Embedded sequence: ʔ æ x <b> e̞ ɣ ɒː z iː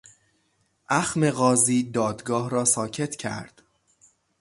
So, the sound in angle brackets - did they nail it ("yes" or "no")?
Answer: no